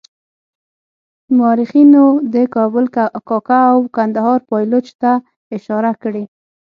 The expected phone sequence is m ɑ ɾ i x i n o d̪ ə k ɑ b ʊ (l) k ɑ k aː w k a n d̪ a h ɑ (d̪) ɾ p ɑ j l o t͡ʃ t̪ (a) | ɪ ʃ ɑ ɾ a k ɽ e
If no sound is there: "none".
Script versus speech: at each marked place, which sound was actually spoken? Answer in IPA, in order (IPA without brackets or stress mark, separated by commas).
l, none, a